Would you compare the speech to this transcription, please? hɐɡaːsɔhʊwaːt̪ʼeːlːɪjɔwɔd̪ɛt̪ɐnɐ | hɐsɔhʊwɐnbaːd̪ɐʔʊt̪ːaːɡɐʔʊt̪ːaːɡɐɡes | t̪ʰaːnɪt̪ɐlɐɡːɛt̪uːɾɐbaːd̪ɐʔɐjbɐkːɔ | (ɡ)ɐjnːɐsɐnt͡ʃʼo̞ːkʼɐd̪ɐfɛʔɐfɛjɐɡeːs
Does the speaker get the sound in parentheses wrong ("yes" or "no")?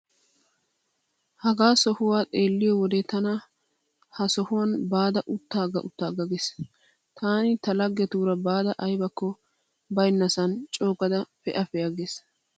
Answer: yes